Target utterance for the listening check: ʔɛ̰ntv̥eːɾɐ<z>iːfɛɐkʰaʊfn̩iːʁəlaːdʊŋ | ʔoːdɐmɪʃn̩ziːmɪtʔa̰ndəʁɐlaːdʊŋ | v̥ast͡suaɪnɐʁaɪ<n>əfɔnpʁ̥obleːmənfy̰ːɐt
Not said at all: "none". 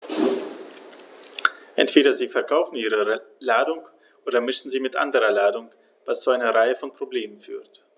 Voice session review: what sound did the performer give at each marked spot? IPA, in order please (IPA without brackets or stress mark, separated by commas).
z, none